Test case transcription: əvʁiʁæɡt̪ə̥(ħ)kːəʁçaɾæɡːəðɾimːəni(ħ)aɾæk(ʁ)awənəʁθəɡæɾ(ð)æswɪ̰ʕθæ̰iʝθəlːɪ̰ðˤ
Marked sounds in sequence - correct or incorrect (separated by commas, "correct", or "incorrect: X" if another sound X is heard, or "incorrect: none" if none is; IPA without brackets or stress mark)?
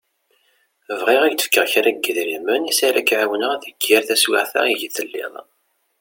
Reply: incorrect: f, incorrect: s, incorrect: ʕ, incorrect: θ